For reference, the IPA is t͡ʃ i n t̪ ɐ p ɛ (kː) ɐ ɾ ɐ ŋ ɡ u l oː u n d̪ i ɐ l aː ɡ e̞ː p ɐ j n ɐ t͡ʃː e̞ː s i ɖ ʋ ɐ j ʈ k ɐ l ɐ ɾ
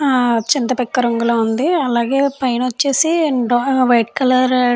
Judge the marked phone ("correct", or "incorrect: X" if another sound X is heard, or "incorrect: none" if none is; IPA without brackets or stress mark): correct